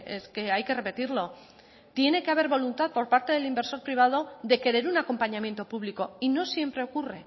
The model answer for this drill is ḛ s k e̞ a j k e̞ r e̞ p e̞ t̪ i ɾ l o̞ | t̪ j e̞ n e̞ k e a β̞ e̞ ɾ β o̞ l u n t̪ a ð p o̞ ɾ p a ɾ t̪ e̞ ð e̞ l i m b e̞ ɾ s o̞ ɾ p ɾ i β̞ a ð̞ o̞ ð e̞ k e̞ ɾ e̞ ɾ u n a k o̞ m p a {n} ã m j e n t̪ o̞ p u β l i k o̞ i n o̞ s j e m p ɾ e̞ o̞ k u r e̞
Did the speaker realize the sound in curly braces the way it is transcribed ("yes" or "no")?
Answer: no